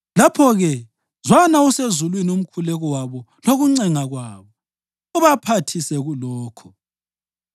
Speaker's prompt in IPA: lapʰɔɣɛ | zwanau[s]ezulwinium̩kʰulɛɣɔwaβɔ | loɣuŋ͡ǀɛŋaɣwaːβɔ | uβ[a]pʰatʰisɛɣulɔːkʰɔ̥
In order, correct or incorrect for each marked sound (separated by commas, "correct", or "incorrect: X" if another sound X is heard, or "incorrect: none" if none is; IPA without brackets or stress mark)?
correct, correct